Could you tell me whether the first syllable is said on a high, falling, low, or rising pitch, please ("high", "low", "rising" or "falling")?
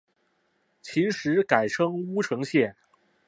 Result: rising